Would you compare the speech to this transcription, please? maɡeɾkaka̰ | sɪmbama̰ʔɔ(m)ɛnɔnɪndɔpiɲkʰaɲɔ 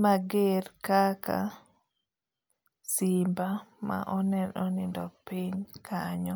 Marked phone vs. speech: incorrect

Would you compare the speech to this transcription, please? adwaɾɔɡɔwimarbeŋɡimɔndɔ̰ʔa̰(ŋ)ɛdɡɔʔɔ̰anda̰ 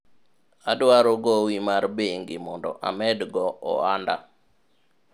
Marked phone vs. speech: incorrect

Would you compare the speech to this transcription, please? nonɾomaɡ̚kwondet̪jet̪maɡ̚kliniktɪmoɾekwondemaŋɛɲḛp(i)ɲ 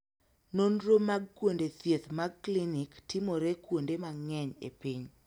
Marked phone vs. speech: correct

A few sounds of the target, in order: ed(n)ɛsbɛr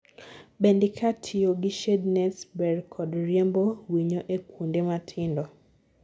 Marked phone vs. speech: correct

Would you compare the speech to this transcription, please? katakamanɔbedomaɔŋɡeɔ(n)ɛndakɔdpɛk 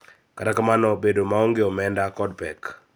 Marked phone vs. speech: incorrect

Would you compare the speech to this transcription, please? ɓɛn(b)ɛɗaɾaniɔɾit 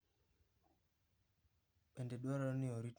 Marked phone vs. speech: incorrect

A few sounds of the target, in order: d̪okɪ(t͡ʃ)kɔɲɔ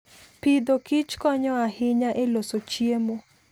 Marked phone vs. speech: correct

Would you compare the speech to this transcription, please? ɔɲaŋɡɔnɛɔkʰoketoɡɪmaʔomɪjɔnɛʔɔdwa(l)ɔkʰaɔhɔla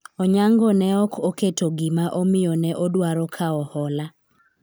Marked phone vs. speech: incorrect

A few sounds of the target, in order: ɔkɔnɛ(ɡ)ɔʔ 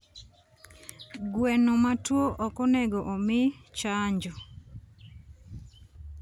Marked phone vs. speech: correct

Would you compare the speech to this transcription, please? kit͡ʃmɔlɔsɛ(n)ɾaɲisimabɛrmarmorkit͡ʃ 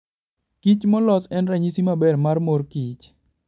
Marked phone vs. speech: correct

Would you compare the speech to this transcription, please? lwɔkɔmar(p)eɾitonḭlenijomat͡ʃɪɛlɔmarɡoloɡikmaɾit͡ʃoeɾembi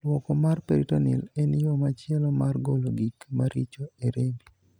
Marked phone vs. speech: correct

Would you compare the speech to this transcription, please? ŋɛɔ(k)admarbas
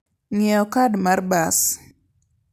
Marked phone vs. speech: correct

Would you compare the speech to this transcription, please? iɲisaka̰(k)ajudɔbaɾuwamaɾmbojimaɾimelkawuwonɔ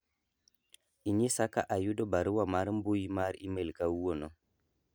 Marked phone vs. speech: incorrect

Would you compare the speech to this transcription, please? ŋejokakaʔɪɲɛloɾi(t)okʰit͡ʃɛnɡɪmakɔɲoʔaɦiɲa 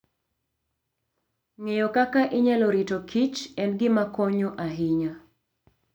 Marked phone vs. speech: correct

